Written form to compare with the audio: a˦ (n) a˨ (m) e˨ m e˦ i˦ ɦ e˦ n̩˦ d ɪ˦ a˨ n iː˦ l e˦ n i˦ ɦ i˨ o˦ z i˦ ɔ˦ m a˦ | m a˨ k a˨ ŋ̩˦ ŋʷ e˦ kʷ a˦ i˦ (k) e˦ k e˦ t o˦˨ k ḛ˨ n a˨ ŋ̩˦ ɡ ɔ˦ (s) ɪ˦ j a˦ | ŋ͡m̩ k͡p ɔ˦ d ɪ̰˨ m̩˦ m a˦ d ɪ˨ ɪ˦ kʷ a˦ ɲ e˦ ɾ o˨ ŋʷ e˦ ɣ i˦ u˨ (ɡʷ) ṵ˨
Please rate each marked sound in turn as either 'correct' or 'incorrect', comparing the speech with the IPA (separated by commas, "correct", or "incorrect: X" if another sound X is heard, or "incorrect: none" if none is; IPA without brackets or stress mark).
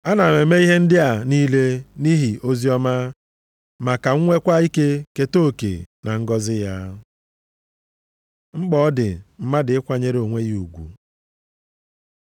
correct, correct, correct, incorrect: z, correct